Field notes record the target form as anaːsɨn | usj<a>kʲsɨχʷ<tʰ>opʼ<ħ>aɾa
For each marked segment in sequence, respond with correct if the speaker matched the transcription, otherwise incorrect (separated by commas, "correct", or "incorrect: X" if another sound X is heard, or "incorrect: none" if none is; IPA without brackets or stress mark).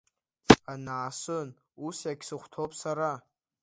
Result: correct, correct, incorrect: s